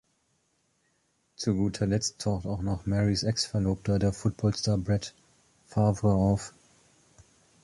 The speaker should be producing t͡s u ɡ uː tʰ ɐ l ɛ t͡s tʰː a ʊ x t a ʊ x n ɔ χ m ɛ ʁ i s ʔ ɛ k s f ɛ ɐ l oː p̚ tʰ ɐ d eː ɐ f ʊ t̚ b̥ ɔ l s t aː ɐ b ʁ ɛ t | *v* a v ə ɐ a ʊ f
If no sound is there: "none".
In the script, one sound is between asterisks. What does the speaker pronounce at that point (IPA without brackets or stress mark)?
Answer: f